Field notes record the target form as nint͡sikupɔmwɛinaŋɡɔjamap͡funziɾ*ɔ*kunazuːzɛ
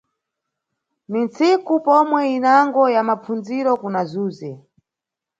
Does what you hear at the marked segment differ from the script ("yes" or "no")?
no